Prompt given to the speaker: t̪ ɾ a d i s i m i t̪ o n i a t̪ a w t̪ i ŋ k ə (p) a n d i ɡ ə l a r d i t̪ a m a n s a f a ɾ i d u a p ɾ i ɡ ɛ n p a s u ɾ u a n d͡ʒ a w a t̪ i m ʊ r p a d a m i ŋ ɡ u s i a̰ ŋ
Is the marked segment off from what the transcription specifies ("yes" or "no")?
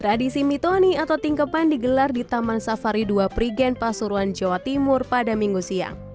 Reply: no